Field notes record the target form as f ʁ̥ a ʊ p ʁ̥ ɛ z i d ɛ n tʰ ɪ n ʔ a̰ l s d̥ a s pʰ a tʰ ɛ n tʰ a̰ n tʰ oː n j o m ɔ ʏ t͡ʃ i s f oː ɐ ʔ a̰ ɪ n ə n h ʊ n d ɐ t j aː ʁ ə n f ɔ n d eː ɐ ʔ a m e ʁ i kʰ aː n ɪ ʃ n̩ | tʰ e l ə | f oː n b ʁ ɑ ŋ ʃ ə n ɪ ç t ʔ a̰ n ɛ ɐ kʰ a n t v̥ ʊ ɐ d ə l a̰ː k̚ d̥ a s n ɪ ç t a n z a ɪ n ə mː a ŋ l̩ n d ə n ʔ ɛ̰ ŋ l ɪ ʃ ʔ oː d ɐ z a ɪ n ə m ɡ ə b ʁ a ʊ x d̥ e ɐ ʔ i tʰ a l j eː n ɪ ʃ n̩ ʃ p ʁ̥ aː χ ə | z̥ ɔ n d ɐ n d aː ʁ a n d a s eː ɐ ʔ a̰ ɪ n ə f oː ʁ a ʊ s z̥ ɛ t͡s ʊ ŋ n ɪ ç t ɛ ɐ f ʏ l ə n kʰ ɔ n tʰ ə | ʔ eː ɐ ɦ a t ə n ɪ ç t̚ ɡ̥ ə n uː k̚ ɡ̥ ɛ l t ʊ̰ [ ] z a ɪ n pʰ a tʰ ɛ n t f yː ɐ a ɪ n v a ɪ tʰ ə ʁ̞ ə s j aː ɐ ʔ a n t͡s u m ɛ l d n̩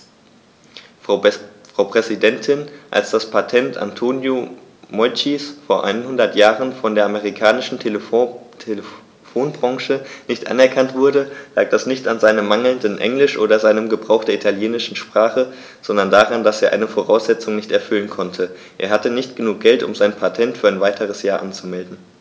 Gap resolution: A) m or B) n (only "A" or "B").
A